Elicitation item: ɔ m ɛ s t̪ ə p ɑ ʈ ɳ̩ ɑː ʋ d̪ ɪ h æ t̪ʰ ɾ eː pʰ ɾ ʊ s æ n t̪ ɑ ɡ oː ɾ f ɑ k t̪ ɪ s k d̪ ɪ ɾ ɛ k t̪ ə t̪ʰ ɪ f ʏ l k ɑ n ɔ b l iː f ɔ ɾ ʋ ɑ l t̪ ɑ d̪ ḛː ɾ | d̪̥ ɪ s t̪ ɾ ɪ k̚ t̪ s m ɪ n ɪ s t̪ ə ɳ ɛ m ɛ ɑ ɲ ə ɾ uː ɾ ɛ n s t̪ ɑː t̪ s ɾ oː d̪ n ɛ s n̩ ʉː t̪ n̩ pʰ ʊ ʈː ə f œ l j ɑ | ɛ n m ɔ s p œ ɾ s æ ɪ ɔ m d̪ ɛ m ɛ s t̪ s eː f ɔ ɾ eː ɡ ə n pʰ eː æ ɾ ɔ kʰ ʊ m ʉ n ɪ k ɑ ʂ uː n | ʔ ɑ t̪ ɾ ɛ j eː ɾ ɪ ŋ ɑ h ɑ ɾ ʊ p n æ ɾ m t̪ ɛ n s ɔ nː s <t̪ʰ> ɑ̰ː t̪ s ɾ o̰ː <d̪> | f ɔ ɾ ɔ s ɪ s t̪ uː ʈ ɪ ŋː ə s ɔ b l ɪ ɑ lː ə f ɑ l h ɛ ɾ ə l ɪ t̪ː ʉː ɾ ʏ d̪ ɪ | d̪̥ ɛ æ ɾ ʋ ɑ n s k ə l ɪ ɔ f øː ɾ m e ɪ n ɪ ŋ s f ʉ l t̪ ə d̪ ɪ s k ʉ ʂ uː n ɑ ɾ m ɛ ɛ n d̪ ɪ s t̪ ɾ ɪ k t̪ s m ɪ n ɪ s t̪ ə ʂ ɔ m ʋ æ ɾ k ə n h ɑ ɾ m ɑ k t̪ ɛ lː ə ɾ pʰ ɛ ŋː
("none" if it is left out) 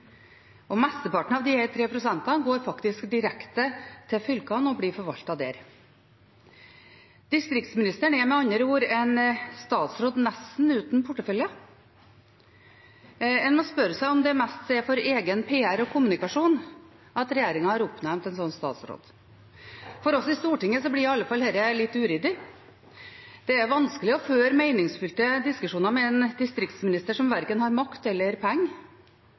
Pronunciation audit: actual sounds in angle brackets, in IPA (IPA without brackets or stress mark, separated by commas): t̪, d̪